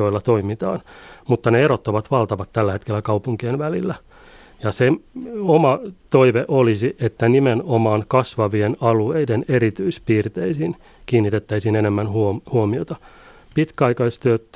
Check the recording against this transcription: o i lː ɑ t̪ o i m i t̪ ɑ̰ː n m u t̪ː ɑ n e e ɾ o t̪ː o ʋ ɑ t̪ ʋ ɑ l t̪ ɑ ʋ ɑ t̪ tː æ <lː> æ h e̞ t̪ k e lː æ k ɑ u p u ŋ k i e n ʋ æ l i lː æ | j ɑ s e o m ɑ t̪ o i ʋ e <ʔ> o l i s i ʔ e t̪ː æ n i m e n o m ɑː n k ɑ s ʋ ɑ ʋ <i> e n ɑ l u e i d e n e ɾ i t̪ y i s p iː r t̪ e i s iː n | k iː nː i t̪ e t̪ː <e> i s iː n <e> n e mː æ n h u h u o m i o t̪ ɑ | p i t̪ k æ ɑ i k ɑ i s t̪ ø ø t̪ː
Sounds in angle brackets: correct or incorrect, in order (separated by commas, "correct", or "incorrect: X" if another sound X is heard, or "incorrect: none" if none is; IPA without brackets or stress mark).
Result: correct, correct, correct, incorrect: æ, correct